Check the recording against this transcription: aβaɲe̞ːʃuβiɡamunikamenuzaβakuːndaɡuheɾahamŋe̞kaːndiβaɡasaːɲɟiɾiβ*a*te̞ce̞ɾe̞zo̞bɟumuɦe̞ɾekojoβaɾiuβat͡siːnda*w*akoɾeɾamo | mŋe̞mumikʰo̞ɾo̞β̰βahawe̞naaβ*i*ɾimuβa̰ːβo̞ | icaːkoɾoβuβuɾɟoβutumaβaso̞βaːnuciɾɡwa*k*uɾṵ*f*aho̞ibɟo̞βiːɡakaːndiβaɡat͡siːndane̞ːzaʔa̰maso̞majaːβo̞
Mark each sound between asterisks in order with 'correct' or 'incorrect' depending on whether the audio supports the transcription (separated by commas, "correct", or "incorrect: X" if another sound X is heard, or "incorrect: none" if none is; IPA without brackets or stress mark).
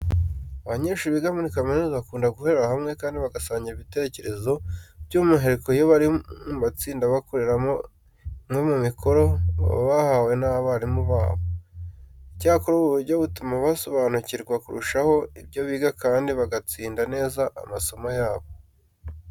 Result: incorrect: i, incorrect: β, incorrect: a, correct, incorrect: ʃ